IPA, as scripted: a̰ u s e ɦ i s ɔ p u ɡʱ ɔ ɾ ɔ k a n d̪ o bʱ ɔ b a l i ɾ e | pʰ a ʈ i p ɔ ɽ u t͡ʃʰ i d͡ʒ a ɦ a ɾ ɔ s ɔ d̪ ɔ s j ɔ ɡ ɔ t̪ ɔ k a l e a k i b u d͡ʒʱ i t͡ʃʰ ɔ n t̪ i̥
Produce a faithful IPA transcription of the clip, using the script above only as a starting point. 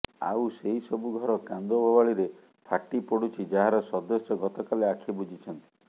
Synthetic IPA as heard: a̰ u s e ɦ i s ɔ b u ɡʱ ɔ ɾ ɔ k a n d̪ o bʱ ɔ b a ɭ i ɾ e | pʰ a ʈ i p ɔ ɽ u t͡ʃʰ i d͡ʒ a ɦ a ɾ ɔ s ɔ d̪ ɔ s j ɔ ɡ ɔ t̪ ɔ k a l e a kʰ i b u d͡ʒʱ i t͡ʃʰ ɔ n t̪ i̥